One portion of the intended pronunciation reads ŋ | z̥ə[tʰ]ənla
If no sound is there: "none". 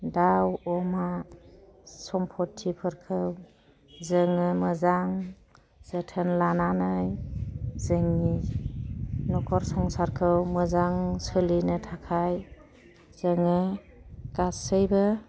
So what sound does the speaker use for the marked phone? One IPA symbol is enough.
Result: tʰ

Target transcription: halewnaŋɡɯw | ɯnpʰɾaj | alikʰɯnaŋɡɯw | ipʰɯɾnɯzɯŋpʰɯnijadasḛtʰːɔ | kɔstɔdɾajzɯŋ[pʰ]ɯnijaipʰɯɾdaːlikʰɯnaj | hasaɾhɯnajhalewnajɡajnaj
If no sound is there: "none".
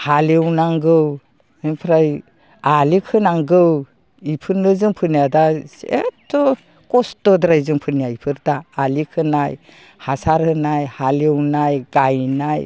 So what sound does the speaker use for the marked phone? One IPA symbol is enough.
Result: pʰ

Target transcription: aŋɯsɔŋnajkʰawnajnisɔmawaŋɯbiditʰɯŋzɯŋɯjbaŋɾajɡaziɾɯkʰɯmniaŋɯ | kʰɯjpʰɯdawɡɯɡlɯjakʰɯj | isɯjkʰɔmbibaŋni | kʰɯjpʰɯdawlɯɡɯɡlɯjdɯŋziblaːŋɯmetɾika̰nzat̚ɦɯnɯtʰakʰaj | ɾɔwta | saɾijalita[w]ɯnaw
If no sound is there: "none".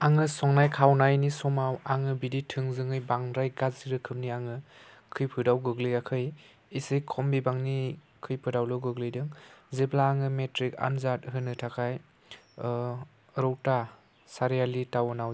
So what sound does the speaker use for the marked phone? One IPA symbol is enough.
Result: w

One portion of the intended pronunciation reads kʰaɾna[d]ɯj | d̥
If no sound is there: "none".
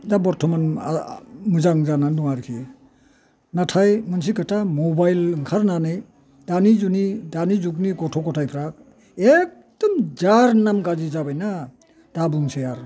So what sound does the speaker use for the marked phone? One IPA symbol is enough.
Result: n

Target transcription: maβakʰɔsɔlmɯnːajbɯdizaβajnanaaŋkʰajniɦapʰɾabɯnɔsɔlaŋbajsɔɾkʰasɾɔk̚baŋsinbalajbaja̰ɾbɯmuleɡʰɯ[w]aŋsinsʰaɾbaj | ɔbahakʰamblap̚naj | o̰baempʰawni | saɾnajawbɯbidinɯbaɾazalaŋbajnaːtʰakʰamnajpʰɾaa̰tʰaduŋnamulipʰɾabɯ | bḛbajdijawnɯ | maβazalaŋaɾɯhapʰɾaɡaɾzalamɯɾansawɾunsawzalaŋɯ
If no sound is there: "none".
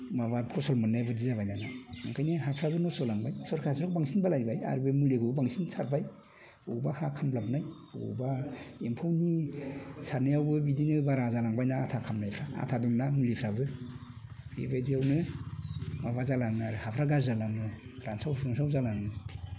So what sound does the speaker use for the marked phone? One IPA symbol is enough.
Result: b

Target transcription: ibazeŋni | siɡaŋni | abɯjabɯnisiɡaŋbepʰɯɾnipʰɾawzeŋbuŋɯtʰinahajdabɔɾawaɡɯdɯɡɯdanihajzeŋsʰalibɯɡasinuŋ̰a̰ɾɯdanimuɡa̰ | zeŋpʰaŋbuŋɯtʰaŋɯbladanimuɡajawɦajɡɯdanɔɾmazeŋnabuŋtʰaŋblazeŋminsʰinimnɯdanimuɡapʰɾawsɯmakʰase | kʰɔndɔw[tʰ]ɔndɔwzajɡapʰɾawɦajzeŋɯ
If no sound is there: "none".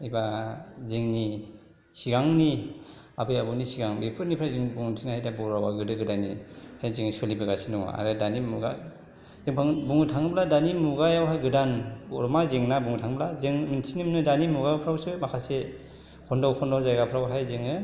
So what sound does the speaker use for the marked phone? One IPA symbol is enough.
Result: kʰ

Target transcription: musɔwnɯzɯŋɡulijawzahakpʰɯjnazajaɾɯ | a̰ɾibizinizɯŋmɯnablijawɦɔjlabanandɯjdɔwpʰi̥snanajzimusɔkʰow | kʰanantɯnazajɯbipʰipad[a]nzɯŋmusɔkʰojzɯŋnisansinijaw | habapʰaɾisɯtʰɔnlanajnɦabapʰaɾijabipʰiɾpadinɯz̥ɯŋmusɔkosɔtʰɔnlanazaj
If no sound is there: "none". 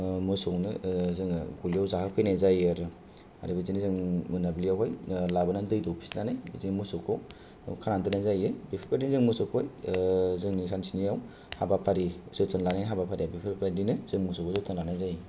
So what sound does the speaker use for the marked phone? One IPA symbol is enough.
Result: i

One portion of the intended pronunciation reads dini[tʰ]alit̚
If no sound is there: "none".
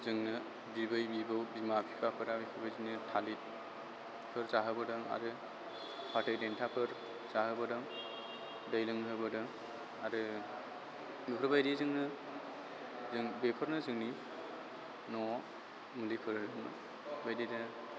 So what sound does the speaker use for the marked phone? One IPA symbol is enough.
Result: tʰ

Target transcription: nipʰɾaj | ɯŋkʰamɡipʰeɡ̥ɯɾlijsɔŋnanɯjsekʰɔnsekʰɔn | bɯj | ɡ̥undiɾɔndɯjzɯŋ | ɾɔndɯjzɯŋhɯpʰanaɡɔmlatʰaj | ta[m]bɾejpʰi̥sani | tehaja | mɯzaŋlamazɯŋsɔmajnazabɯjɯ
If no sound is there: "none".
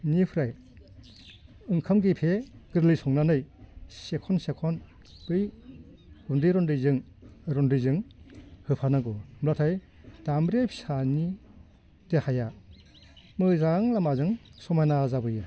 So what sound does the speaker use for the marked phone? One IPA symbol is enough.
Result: m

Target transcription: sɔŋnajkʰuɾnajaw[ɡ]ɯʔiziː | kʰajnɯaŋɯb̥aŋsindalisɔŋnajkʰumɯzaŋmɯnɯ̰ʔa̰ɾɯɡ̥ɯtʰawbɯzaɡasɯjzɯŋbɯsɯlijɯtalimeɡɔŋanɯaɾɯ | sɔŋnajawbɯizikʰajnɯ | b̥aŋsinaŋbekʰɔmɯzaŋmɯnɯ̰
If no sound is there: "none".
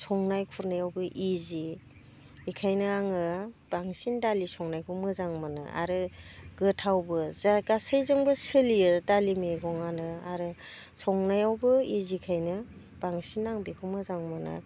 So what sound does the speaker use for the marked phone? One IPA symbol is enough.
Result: b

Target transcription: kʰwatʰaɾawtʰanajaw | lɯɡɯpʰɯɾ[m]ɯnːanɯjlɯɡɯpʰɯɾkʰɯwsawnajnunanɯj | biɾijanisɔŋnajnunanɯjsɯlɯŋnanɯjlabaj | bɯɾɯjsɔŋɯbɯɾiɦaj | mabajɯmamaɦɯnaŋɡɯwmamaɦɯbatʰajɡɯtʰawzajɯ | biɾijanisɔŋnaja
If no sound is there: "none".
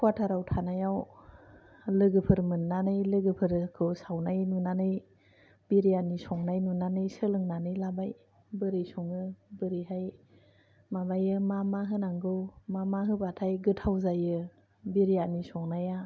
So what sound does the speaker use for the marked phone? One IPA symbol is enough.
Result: m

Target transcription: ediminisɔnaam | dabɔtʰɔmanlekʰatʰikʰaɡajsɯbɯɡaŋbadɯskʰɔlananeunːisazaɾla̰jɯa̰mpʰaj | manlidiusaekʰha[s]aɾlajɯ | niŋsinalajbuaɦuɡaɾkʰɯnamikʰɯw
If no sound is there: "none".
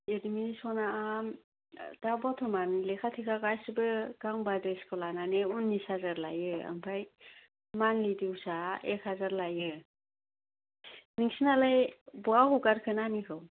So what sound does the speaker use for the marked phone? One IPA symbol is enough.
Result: z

